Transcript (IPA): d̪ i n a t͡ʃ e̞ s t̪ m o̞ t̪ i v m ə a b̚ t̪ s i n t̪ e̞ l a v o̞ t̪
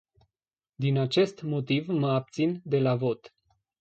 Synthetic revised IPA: d̪ i n a t͡ʃ e̞ s t̪ m o̞ t̪ i v m ə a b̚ t̪ s i n d̪ e̞ l a v o̞ t̪